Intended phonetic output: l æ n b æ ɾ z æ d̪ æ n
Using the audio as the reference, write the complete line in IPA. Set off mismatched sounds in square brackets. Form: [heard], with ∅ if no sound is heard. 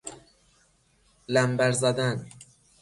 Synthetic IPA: l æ [m] b æ ɾ z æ d̪ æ n